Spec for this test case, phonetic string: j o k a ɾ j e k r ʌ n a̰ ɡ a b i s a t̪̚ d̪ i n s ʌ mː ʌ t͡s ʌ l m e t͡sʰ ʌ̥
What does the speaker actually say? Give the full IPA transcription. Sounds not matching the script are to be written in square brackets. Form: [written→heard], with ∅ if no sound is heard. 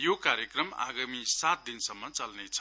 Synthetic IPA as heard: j o k a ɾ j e k r ʌ [n→m] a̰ ɡ a [b→m] i s a t̪̚ d̪ i n s ʌ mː ʌ t͡s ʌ l [m→n] e t͡sʰ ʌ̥